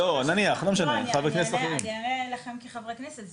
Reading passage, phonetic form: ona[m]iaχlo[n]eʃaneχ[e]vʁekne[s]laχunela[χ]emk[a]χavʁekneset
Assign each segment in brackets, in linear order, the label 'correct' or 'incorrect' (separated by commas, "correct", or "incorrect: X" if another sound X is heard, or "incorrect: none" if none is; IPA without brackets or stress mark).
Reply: incorrect: n, incorrect: m, incorrect: a, correct, correct, incorrect: i